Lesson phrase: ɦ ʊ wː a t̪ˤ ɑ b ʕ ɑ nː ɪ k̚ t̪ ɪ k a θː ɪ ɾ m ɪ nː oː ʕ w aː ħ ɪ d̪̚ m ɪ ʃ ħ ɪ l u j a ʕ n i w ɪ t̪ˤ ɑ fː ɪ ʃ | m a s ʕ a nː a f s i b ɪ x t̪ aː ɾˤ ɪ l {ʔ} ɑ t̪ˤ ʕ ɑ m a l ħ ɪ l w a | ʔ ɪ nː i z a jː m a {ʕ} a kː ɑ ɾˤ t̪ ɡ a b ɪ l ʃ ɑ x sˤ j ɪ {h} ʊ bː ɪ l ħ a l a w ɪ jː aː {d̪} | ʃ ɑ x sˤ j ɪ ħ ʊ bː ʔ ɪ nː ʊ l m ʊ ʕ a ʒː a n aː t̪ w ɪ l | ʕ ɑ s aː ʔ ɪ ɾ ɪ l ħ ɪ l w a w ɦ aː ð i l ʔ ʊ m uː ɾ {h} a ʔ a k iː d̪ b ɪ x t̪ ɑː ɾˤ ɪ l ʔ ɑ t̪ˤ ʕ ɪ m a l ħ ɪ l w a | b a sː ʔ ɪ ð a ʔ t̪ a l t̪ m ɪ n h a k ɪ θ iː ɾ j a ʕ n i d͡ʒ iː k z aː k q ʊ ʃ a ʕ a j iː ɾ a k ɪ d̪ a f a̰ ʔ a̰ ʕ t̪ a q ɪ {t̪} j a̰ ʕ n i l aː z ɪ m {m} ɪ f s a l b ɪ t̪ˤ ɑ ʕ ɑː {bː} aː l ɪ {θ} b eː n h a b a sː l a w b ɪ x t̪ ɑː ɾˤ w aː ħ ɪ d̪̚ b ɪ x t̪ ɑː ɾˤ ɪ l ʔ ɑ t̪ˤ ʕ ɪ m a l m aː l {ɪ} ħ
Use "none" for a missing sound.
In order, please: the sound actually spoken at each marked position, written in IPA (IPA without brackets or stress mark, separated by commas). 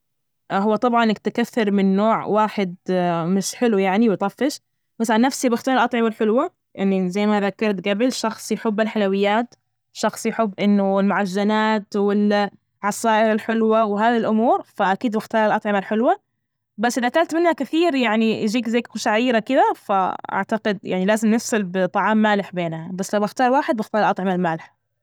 ʔ, ð, ħ, t̪, f, d̪, n, mː, ħ, ɪ